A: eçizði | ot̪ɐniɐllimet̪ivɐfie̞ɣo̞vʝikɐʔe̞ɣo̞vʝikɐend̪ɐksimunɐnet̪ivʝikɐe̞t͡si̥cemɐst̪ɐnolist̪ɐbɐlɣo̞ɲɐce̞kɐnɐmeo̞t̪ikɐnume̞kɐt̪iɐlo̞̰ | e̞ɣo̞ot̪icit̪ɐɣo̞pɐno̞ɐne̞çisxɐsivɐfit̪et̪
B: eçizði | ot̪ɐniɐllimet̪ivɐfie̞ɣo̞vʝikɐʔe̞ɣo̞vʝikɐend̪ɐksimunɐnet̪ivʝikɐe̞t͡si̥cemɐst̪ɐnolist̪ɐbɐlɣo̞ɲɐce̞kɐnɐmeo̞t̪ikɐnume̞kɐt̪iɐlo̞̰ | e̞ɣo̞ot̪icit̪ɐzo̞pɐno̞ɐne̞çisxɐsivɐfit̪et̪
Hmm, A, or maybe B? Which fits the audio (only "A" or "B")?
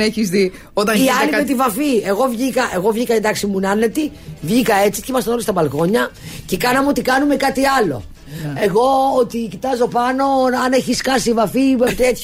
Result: B